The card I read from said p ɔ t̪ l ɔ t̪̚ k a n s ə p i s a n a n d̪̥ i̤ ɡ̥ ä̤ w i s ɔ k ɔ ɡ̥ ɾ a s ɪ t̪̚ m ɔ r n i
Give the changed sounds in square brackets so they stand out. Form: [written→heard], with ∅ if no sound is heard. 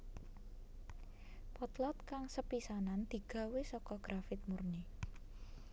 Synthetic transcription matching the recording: p ɔ t̪ l ɔ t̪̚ k a [n→ŋ] s ə p i s a n a n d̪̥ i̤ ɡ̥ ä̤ w [i→e] s ɔ k ɔ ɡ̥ ɾ a [s→f] ɪ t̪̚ m [ɔ→u] r n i